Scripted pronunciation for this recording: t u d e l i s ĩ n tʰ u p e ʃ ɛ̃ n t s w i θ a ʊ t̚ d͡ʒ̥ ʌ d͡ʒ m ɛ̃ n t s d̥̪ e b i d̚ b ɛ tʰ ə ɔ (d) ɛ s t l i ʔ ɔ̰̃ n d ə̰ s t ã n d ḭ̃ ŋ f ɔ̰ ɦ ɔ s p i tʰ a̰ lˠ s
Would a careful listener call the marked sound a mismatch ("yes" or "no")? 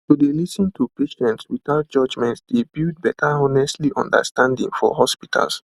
yes